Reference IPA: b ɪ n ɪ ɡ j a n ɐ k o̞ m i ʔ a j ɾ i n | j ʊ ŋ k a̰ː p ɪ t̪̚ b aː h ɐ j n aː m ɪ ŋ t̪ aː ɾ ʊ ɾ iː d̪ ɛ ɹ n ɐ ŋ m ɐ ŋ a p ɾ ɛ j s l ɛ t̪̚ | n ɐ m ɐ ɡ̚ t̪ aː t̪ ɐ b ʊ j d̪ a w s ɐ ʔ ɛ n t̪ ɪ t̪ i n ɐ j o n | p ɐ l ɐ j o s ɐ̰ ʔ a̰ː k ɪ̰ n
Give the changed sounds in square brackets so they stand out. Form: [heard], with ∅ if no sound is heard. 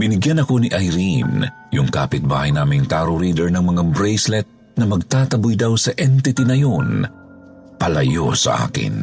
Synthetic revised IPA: b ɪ n ɪ ɡ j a n ɐ k o̞ [n] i ʔ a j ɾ i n | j ʊ ŋ k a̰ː p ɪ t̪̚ b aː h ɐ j n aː m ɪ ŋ t̪ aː ɾ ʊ ɾ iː d̪ ɛ ɹ n ɐ ŋ m ɐ ŋ a [b] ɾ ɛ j s l ɛ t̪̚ | n ɐ m ɐ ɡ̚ t̪ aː t̪ ɐ b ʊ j d̪ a w s ɐ ʔ ɛ n t̪ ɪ t̪ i n ɐ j o n | p ɐ l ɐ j o s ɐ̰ ʔ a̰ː k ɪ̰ n